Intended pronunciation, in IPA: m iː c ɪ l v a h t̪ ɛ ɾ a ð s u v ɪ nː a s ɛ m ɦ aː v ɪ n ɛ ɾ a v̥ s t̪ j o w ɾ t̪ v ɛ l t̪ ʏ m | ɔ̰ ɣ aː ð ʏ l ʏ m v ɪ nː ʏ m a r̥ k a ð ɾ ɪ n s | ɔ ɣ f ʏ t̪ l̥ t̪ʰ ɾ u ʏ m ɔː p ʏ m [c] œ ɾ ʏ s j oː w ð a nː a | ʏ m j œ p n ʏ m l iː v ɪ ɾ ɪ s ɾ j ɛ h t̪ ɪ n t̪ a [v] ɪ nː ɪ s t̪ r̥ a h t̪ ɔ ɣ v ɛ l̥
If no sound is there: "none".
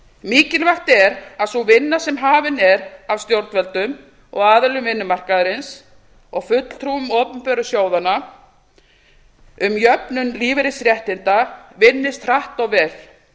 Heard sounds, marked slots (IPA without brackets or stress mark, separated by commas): p, v